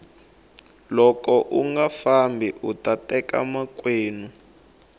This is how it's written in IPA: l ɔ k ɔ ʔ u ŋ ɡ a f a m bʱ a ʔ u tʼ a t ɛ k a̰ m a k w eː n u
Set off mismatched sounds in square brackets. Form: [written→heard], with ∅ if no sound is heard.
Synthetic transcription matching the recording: l ɔ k ɔ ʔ u ŋ ɡ a f a m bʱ [a→i] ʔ u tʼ a t ɛ k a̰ m a k w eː n u